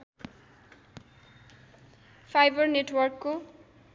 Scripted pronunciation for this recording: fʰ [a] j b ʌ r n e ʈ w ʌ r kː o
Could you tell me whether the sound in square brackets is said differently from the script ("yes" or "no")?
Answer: no